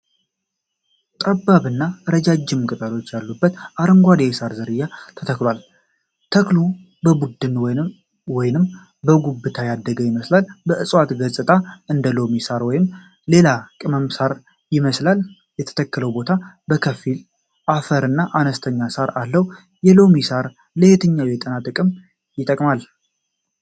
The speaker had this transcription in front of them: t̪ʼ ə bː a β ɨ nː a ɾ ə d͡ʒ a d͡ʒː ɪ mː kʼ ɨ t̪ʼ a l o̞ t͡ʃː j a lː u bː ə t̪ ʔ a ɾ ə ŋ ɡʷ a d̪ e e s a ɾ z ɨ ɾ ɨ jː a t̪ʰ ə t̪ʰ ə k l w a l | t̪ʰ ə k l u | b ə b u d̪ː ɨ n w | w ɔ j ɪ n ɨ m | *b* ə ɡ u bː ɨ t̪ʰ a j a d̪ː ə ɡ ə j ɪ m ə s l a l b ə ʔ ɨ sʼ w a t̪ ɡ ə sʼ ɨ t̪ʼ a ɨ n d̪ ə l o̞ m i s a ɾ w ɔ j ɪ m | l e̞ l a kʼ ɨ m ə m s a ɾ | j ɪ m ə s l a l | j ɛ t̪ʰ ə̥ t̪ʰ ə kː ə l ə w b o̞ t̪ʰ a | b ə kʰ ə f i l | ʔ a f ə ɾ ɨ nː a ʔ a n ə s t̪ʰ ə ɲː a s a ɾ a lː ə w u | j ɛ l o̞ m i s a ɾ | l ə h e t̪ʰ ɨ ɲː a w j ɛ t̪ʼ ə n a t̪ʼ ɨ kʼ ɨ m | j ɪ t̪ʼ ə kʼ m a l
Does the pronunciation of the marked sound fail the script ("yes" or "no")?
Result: no